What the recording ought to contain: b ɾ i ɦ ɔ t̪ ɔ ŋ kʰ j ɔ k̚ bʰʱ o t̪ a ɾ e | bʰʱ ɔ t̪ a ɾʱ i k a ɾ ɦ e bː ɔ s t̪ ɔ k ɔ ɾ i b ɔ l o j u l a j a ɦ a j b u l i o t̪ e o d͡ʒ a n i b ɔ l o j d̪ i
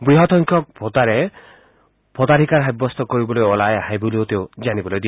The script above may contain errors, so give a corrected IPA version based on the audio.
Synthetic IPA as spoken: b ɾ i ɦ ɔ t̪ ɔ ŋ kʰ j ɔ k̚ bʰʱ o t̪ a ɾ e | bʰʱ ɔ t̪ a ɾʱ i k a ɾ ɦ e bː ɔ s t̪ ɔ k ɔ ɾ i b ɔ l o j ɔ l a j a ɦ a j b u l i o t̪ e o d͡ʒ a n i b ɔ l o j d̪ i

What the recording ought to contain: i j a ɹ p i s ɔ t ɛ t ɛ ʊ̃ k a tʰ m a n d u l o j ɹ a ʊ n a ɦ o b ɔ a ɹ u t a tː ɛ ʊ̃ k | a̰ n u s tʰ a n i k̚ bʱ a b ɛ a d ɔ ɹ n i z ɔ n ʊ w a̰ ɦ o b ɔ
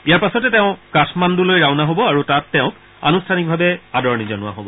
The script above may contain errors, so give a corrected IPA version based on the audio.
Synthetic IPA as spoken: i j a ɹ p a s ɔ t ɛ t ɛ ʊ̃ k a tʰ m a n d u l o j ɹ a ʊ n a ɦ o b ɔ a ɹ u t a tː ɛ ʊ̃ k | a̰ n u s tʰ a n i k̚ bʱ a b ɛ a d ɔ ɹ n i z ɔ n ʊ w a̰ ɦ o b ɔ

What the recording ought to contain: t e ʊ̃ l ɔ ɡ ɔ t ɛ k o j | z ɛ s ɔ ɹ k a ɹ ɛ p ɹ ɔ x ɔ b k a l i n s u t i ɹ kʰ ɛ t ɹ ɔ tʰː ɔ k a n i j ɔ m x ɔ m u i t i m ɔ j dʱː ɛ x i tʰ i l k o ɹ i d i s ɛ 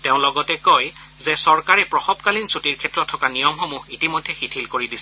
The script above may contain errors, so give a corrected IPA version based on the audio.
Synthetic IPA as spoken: t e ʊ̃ l ɔ ɡ ɔ t ɛ k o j | z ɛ s ɔ ɹ k a ɹ ɛ p ɹ ɔ x ɔ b k a l i n s u t i ɹ kʰ ɛ t ɹ ɔ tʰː ɔ k a n i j ɔ m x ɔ m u i t i m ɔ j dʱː ɛ x i tʰ i l k o ɹ i d i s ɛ

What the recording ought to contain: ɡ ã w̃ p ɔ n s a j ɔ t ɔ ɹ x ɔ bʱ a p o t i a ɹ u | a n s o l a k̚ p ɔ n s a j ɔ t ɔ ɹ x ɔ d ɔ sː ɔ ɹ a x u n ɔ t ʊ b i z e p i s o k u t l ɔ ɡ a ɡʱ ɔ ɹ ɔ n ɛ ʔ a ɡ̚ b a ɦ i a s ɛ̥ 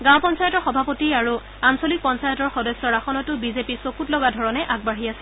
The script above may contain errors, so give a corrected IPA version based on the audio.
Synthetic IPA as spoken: ɡ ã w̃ p ɔ n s a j ɔ t ɔ ɹ x ɔ bʱ a p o t i a ɹ u | a n s o l i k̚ p ɔ n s a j ɔ t ɔ ɹ x ɔ d ɔ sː ɔ ɹ a x ɔ n ɔ t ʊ b i z e p i s o k u t l ɔ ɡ a dʱ ɔ ɹ ɔ n ɛ ʔ a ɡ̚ b a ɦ i a s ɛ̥

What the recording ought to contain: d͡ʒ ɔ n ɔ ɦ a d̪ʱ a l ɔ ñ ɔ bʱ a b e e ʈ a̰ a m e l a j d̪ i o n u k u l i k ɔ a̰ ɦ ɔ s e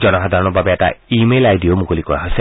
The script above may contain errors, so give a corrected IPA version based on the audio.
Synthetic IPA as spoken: d͡ʒ ɔ n ɔ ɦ a d̪ʱ a ɾ ɔ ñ ɔ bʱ a b e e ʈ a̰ i m e l a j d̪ i o m u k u l i k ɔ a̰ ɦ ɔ s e

